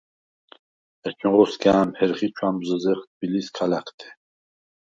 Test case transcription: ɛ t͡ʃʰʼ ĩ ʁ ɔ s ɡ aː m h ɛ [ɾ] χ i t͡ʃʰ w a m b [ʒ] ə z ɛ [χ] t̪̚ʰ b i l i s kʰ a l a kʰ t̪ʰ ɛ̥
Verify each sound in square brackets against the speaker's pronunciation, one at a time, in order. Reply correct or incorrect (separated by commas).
correct, incorrect, correct